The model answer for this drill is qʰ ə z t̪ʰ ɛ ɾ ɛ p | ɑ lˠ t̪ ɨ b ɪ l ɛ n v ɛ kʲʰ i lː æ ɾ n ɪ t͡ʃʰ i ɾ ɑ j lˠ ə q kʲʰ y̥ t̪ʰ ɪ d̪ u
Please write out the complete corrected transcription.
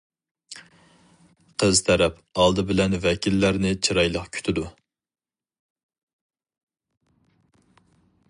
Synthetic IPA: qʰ ə z t̪ʰ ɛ ɾ ɛ p | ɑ lˠ d̪ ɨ b ɪ l ɛ n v ɛ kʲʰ i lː æ ɾ n ɪ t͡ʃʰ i ɾ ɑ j lˠ ə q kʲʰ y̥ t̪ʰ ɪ d̪ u